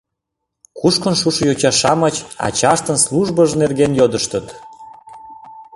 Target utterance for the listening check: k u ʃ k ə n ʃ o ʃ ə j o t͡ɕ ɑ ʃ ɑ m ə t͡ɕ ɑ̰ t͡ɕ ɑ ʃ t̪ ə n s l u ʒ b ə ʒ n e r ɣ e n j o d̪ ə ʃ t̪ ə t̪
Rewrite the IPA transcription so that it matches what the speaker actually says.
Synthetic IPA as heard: k u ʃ k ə n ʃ u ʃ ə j o t͡ɕ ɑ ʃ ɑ m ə t͡ɕ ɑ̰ t͡ɕ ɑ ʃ t̪ ə n s l u ʒ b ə ʒ n e r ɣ e n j o d̪ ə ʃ t̪ ə t̪